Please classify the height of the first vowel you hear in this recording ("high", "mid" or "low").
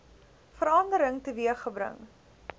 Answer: mid